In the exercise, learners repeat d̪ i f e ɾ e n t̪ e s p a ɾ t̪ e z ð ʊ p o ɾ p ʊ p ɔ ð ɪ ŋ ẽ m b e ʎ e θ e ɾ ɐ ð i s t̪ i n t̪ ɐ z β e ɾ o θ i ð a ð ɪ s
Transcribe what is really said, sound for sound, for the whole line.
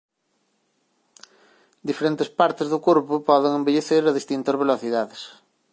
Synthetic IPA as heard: d̪ i f e ɾ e n t̪ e s p a ɾ t̪ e z ð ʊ k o ɾ p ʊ p ɔ ð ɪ ŋ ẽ m b e ʎ e θ e ɾ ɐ ð i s t̪ i n t̪ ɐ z β e l o θ i ð a ð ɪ s